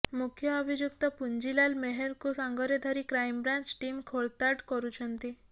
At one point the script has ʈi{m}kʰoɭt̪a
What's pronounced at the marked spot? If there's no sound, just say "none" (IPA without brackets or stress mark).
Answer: m